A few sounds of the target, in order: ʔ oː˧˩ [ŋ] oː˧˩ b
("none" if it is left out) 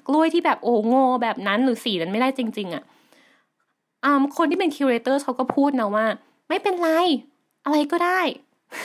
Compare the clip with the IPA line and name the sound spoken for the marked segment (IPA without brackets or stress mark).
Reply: ŋ